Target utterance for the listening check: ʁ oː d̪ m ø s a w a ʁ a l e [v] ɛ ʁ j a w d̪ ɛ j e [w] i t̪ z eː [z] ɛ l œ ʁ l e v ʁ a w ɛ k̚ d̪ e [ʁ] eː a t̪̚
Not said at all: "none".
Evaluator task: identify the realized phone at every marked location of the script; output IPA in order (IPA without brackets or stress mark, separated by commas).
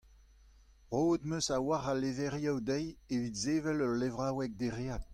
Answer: v, v, v, ʁ